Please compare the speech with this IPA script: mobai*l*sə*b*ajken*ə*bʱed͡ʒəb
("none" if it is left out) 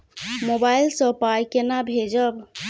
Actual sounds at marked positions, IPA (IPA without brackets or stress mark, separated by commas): l, p, a